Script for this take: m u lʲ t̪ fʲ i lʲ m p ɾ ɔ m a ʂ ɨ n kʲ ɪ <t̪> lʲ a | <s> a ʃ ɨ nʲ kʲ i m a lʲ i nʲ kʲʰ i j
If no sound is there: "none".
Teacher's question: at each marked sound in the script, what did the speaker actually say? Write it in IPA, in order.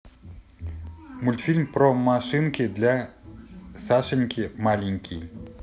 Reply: d̪, s

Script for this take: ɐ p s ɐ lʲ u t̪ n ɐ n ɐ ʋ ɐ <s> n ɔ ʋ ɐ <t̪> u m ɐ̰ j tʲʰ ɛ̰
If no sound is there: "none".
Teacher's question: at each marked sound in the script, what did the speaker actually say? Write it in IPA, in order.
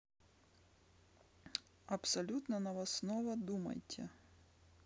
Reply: s, d̪

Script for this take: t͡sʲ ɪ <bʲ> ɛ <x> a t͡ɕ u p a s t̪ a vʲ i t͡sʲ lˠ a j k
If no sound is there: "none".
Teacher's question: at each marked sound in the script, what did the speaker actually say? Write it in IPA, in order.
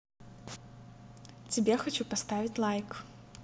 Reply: bʲ, x

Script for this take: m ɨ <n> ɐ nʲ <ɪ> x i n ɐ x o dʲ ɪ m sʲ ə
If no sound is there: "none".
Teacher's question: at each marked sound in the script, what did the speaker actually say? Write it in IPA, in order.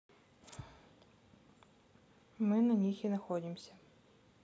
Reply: n, i

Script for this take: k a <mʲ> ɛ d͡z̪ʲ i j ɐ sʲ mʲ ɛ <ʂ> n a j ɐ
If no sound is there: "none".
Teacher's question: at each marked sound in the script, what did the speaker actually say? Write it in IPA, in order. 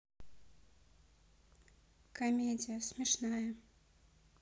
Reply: mʲ, ʂ

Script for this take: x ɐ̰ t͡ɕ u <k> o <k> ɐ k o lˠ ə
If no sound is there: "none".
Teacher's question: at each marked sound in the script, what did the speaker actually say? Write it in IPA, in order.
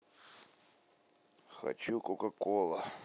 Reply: k, k

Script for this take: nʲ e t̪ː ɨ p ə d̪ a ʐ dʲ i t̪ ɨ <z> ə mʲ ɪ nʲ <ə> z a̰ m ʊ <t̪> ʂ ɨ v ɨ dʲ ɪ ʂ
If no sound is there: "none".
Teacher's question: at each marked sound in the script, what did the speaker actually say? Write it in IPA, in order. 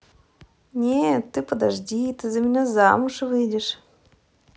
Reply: z, a, none

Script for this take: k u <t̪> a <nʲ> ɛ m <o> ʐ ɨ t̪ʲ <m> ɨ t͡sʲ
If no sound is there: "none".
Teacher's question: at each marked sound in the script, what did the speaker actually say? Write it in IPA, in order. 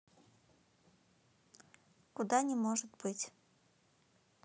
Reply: d̪, nʲ, ɔ, b

